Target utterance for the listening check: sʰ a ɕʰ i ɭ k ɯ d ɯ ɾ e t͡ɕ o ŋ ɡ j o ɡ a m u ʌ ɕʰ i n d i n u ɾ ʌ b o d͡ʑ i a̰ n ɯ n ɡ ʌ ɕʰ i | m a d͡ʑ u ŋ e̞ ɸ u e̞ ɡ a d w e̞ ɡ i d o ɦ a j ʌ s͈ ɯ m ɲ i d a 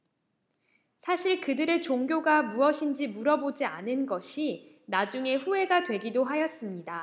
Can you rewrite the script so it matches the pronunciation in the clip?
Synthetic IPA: sʰ a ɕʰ i ɭ k ɯ d ɯ ɾ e t͡ɕ o ŋ ɡ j o ɡ a m u ʌ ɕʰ i n d͡ʑ i m u ɾ ʌ b o d͡ʑ i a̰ n ɯ n ɡ ʌ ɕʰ i | n a d͡ʑ u ŋ e̞ ɸ u e̞ ɡ a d w e̞ ɡ i d o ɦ a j ʌ s͈ ɯ m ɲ i d a